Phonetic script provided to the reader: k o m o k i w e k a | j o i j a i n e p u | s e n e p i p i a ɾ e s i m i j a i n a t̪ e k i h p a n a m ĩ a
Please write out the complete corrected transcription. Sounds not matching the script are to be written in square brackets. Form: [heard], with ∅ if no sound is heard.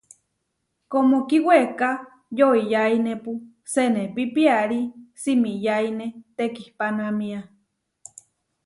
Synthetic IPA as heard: k o m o k i w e k a | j o i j a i n e p u | s e n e p i p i a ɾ [i] s i m i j a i n [e] t̪ e k i h p a n a m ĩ a

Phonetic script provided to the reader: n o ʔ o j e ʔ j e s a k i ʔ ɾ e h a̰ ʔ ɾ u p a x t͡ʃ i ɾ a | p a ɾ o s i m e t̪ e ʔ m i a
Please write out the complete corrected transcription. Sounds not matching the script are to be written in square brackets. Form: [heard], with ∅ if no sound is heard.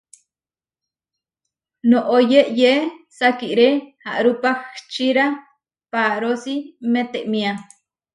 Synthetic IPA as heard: n o ʔ o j e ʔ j e s a k i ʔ ɾ e h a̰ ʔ ɾ u p a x t͡ʃ i ɾ a | p a ɾ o s i m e t̪ e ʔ m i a

